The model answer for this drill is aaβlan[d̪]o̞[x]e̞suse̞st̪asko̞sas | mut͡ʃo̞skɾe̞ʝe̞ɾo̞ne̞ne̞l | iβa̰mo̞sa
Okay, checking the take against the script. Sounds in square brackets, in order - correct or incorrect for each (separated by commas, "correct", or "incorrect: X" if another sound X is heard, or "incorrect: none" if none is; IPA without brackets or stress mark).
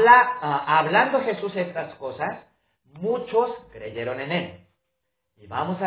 correct, correct